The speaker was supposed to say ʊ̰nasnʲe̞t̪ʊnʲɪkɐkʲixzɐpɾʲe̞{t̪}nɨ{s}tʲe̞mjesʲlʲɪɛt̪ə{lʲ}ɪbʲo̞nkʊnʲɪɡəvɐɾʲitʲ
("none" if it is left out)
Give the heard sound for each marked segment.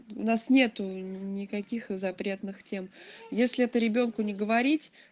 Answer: t̪, x, ɾʲ

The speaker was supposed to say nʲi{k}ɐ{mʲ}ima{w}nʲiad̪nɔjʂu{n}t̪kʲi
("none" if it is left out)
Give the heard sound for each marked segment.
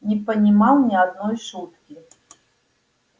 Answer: p, nʲ, w, none

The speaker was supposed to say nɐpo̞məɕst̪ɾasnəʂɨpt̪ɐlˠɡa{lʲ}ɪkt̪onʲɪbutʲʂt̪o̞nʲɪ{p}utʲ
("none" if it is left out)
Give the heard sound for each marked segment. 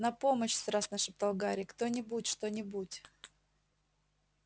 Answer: ɾʲ, b

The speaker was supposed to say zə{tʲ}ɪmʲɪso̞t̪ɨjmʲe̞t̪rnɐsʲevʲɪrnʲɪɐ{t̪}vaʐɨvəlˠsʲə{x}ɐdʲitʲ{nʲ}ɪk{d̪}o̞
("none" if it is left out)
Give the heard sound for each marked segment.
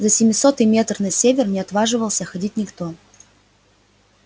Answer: sʲ, t̪, x, nʲ, t̪

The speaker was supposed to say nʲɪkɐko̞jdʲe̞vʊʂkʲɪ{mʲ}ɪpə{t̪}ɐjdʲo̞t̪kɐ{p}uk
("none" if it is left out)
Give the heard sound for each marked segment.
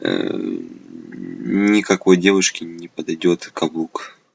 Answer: nʲ, d̪, b

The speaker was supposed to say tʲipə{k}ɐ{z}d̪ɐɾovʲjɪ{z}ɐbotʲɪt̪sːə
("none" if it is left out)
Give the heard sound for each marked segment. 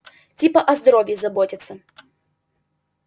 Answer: ʔ, z, z

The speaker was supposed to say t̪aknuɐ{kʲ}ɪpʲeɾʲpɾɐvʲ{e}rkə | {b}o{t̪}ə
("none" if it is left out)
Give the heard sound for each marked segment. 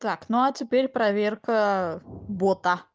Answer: tʲ, e, b, t̪

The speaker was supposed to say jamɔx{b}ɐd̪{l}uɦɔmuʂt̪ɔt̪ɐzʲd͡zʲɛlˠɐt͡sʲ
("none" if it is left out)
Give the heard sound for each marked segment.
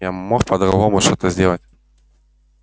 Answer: p, ɾ

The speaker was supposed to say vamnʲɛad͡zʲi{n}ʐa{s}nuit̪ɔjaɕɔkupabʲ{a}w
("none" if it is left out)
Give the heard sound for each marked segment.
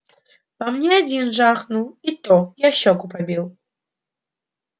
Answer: n, x, i

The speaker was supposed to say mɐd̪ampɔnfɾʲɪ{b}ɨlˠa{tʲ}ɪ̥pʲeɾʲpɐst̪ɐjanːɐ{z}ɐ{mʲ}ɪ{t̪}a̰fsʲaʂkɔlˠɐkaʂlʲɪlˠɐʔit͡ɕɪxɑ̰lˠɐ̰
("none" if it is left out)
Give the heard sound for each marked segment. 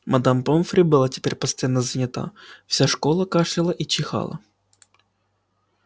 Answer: b, tʲ, z, nʲ, t̪

